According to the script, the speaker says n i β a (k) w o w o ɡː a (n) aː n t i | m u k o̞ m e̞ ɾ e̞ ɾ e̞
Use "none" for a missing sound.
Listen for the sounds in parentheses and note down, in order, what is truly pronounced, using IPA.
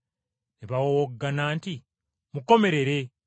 none, n

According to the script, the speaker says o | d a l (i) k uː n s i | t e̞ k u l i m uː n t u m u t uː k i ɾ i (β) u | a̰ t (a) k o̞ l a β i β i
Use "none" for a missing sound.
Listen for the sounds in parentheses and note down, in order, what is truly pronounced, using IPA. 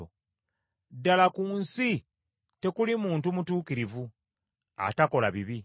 a, v, a

